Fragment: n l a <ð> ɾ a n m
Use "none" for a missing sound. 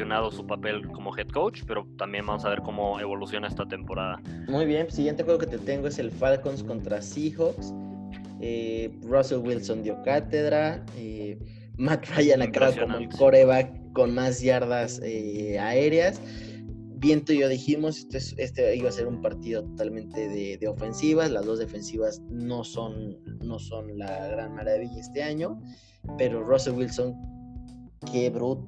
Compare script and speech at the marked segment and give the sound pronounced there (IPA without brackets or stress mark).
ɣ